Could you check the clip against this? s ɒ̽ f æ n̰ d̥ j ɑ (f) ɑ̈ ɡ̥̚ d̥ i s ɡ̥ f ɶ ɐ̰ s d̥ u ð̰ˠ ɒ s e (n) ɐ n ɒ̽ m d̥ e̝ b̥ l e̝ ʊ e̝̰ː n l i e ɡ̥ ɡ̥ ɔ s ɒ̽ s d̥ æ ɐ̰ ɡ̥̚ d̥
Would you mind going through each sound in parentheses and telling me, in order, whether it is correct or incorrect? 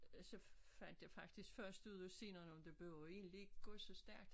correct, correct

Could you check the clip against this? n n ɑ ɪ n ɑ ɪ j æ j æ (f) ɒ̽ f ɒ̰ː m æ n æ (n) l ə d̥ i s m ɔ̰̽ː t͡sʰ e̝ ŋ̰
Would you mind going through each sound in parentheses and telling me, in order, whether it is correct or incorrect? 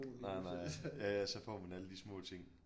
incorrect: s, incorrect: none

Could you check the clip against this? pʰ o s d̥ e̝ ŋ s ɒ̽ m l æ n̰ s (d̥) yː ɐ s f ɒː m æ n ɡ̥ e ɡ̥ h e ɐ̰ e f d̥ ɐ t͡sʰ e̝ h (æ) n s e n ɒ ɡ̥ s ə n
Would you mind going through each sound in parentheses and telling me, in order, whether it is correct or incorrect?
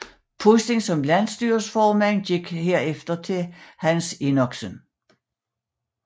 correct, correct

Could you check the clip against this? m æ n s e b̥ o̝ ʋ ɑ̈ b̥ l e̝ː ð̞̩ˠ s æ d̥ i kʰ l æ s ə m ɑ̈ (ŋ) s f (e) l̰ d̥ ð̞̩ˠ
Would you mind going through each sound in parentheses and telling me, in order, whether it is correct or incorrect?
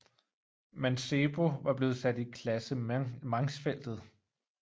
correct, correct

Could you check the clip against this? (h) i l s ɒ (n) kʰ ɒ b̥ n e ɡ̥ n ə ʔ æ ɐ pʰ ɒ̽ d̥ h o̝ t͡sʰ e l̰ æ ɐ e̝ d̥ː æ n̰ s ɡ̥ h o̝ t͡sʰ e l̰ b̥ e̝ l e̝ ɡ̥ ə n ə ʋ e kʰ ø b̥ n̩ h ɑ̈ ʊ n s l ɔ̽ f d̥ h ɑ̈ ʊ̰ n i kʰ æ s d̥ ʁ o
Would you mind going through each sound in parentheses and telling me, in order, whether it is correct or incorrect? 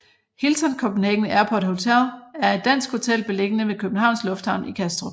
correct, correct

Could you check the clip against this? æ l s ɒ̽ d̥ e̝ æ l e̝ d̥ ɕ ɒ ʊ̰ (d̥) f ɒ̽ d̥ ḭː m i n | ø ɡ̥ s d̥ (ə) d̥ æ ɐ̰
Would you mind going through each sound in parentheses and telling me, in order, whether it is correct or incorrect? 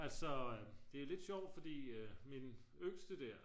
correct, correct

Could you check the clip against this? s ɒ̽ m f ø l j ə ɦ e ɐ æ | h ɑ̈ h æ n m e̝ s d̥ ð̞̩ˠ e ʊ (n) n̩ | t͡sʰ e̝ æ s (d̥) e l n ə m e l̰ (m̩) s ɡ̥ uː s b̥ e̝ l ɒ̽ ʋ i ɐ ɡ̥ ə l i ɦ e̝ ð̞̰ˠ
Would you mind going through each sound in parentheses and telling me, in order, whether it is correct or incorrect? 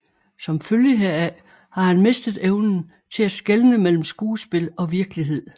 correct, incorrect: ɡ̥, correct

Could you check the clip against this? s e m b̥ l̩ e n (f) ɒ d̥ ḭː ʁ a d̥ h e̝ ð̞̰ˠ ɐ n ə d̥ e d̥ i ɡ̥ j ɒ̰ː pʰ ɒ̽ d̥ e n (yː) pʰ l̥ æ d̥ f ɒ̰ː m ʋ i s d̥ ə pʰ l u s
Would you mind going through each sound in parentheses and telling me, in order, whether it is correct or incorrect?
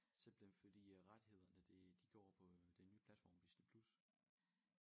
correct, correct

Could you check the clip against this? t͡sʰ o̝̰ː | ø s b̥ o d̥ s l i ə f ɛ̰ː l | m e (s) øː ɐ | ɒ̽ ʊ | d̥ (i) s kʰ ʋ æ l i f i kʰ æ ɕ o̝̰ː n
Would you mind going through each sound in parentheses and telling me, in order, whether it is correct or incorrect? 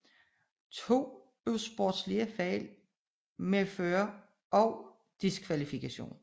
incorrect: f, correct

